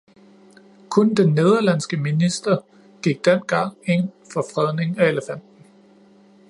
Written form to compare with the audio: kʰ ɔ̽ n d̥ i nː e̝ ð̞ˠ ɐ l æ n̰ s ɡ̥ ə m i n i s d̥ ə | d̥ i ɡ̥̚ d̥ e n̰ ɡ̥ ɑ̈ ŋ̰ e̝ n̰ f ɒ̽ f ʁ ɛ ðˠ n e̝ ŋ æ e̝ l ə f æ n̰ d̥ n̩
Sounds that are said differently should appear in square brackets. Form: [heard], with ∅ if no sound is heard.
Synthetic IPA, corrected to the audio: kʰ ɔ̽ n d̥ [e] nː e̝ ð̞ˠ ɐ l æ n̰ s ɡ̥ ə m i n i s d̥ [ɐ] | [ɡ̥] i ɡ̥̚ d̥ e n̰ ɡ̥ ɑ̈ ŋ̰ e̝ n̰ f ɒ̽ f ʁ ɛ ðˠ n e̝ ŋ æ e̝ l ə f æ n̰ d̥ n̩